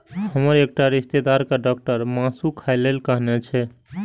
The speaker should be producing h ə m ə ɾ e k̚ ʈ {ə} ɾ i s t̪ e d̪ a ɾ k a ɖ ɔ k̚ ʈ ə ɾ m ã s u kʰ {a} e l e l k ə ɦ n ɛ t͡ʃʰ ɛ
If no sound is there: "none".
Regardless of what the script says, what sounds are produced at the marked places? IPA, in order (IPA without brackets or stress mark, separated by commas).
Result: a, a